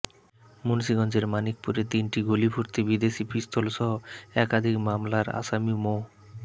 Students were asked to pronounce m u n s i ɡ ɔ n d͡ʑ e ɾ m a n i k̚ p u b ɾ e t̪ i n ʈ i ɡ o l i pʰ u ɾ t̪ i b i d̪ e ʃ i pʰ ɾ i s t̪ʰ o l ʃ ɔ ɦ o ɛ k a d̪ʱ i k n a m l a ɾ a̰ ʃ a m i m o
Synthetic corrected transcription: m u n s i ɡ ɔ n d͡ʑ e ɾ m a n i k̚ p u ɾ e t̪ i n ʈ i ɡ o l i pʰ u ɾ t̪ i b i d̪ e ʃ i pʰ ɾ i s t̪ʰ o l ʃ ɔ ɦ o ɛ k a d̪ʱ i k m a m l a ɾ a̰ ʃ a m i m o